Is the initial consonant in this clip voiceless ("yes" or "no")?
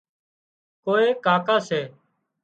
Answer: yes